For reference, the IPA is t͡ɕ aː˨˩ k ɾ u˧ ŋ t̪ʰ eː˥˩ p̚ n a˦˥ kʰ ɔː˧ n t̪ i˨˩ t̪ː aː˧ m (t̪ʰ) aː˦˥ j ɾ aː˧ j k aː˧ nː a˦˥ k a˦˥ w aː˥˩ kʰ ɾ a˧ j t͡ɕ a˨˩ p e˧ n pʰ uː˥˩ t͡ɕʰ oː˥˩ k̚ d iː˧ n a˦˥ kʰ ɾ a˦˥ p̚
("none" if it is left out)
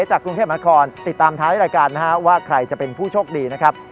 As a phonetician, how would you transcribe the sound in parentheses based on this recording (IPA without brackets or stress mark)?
t̪ʰ